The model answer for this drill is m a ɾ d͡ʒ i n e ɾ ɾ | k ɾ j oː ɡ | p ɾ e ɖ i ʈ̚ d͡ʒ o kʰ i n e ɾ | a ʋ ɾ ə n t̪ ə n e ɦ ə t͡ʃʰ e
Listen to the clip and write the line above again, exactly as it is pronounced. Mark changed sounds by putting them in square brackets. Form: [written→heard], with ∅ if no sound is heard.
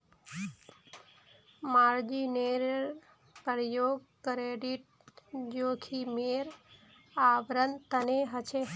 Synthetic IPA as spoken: m a ɾ d͡ʒ i n e ɾ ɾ | [k→p] ɾ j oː ɡ | [p→k] ɾ e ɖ i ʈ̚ d͡ʒ o kʰ i [n→m] e ɾ | a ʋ ɾ ə n t̪ ə n e ɦ ə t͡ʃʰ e